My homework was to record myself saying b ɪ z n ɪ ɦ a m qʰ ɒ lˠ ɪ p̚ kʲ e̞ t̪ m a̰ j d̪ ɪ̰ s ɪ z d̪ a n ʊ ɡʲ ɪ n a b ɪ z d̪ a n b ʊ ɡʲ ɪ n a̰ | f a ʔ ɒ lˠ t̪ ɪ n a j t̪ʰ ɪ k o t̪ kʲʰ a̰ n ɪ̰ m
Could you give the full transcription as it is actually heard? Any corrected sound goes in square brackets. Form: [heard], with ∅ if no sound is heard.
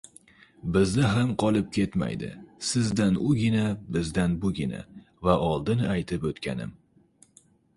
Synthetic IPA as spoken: b ɪ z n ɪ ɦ a m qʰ ɒ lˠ ɪ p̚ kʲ e̞ t̪ m a̰ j d̪ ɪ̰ s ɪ z d̪ a n ʊ ɡʲ ɪ n a b ɪ z d̪ a n b ʊ ɡʲ ɪ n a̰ | [v] a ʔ ɒ lˠ [d̪] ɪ n a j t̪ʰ ɪ [p] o t̪ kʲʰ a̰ n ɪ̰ m

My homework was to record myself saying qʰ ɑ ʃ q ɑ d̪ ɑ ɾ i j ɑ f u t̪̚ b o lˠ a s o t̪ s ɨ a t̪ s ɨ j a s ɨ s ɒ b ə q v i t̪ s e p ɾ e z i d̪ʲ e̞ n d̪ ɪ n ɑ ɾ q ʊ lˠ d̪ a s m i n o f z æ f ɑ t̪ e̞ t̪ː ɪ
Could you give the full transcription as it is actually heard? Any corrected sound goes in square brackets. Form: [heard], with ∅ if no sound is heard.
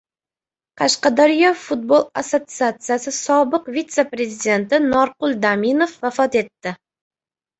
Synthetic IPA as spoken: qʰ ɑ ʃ q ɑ d̪ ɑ ɾ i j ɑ f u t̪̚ b o lˠ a s o t̪ s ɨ a t̪ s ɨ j a s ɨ s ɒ b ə q v i t̪ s e p ɾ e z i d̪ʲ e̞ n [t̪] ɪ n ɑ ɾ q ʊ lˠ d̪ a [∅] m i n o f [v] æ f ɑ t̪ e̞ t̪ː ɪ

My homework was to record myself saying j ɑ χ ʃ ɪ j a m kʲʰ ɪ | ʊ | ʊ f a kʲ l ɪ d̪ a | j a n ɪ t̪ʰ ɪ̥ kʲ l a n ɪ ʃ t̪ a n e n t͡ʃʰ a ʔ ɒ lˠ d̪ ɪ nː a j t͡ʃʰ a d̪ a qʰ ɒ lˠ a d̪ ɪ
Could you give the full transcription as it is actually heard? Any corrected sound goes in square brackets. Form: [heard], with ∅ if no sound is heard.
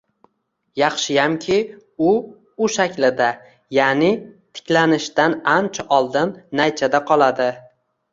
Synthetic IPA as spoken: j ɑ χ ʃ ɪ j a m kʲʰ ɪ | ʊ | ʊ [ʃ] a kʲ l ɪ d̪ a | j a n ɪ t̪ʰ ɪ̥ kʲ l a n ɪ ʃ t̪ a n [a] n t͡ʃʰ a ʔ ɒ lˠ d̪ ɪ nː a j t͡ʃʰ a d̪ a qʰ ɒ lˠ a d̪ ɪ

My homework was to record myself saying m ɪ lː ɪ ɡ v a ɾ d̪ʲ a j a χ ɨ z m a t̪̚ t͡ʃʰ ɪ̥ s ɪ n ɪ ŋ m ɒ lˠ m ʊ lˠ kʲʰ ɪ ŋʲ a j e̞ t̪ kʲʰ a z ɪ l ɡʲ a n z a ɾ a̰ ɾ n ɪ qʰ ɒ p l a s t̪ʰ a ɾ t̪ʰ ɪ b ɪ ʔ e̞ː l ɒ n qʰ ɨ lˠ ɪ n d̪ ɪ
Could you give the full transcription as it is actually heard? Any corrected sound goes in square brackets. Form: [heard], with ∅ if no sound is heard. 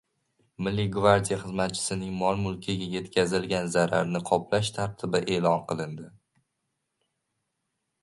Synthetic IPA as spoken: m ɪ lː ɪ ɡ v a ɾ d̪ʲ [i] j a χ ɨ z m a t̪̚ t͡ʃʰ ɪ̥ s ɪ n ɪ ŋ m ɒ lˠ m ʊ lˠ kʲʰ ɪ [ɡʲ] a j e̞ t̪ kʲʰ a z ɪ l ɡʲ a n z a ɾ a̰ ɾ n ɪ qʰ ɒ p l a [ʃ] t̪ʰ a ɾ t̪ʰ ɪ b ɪ ʔ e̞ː l ɒ n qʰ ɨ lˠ ɪ n d̪ ɪ

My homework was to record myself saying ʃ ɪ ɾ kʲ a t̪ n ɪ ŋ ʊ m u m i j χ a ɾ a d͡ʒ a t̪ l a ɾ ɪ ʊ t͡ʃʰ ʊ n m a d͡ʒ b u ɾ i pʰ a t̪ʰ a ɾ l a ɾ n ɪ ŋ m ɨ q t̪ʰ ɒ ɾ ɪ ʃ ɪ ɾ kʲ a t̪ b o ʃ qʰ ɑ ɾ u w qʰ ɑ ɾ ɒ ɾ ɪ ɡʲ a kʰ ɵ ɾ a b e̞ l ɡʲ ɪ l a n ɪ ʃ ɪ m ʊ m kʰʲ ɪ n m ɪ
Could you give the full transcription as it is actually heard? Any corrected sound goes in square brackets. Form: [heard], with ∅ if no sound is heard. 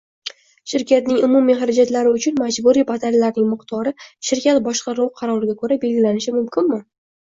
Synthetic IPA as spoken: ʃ ɪ ɾ kʲ a t̪ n ɪ ŋ ʊ m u m i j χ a ɾ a d͡ʒ a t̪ l a ɾ ɪ ʊ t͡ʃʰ ʊ n m a d͡ʒ b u ɾ i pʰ a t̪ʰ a ɾ l a ɾ n ɪ ŋ m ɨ q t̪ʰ ɒ ɾ ɪ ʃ ɪ ɾ kʲ a t̪ b [ɒ] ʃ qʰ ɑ ɾ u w qʰ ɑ ɾ ɒ ɾ ɪ ɡʲ a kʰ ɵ ɾ a b e̞ l ɡʲ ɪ l a n ɪ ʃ ɪ m ʊ m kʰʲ ɪ n m ɪ

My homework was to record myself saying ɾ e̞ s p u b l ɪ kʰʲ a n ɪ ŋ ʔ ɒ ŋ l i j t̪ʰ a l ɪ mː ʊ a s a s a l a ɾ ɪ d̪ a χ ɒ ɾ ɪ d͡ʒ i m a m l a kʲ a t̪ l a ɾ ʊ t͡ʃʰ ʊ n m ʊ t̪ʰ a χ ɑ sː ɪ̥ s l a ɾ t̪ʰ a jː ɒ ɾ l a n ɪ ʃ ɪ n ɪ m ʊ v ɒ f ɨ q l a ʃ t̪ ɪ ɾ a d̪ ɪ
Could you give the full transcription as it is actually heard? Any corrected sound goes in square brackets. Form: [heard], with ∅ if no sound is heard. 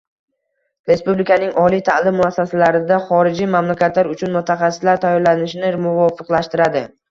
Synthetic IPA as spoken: ɾ e̞ s p u b l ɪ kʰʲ a n ɪ ŋ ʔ ɒ [∅] l i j t̪ʰ a l ɪ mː ʊ a [sː] a s a l a ɾ ɪ d̪ a χ ɒ ɾ ɪ d͡ʒ i m a m l a kʲ a t̪ l a ɾ ʊ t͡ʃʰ ʊ n m ʊ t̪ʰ a χ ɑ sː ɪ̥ s l a ɾ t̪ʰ a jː ɒ ɾ l a n ɪ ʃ ɪ n ɪ m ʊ v ɒ f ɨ q l a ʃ t̪ ɪ ɾ a d̪ ɪ

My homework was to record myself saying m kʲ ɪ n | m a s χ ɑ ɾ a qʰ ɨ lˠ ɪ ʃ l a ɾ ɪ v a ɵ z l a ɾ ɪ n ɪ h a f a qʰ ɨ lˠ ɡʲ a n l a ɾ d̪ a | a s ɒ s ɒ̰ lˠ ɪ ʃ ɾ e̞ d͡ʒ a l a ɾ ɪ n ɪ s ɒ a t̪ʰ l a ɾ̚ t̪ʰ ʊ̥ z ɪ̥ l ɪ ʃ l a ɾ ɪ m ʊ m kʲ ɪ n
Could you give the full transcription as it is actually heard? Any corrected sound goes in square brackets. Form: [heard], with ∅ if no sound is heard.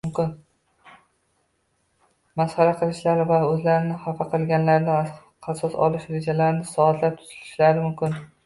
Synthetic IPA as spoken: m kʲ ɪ n | m a s χ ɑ ɾ a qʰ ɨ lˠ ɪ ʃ l a ɾ ɪ v a ɵ z l a ɾ ɪ n ɪ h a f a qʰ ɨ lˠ ɡʲ a n l a ɾ d̪ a | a s ɒ s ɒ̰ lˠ ɪ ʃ ɾ e̞ d͡ʒ a l a ɾ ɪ n ɪ s ɒ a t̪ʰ l a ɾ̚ t̪ʰ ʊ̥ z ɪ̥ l ɪ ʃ l a ɾ ɪ m ʊ m kʲ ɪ n

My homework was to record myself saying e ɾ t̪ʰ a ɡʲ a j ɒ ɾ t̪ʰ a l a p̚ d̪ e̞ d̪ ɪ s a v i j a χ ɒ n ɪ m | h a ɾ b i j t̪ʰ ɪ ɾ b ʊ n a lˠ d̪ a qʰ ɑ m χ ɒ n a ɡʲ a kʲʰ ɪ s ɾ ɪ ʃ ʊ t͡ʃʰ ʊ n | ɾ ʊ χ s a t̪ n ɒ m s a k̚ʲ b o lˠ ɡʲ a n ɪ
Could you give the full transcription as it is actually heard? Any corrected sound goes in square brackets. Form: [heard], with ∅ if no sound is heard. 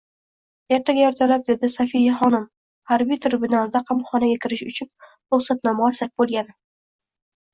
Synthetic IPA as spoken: e ɾ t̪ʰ a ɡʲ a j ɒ ɾ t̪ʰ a l a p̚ d̪ e̞ d̪ ɪ s a [f] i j a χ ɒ n ɪ m | h a ɾ b i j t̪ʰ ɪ ɾ b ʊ n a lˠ d̪ a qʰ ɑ m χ ɒ n a ɡʲ a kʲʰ ɪ [∅] ɾ ɪ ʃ ʊ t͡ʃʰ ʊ n | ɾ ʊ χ s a t̪ n ɒ m s a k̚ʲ b o lˠ ɡʲ a n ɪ

